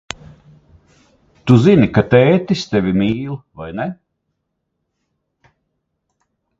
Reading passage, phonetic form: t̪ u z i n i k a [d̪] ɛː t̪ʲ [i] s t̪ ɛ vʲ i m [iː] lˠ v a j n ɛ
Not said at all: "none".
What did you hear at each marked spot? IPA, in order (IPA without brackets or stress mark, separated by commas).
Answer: t̪, i, iː